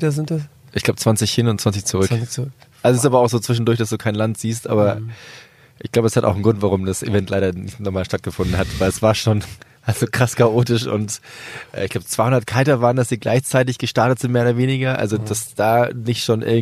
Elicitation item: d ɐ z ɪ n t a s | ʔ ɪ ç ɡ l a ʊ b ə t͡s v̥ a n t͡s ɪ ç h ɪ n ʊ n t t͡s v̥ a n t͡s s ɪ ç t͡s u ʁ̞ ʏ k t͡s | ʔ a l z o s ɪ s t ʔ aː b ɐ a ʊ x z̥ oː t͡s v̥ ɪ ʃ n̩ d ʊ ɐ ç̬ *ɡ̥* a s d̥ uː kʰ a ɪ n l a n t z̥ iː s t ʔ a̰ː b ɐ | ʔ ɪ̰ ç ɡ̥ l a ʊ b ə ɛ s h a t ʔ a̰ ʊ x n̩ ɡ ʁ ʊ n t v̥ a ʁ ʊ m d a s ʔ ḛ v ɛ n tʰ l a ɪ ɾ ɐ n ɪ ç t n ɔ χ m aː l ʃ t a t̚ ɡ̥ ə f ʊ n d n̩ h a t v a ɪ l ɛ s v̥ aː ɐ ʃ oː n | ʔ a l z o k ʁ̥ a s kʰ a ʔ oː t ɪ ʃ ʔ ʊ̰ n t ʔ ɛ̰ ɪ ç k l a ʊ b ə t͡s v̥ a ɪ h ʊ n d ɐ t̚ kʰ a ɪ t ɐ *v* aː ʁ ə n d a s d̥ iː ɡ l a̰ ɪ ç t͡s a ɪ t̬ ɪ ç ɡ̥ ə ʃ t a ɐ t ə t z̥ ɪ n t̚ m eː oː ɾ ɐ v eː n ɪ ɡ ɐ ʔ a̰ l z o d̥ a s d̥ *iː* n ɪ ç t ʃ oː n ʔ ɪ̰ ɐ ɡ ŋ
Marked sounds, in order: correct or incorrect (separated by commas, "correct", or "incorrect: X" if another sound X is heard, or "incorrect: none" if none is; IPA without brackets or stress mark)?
incorrect: d̥, correct, incorrect: aː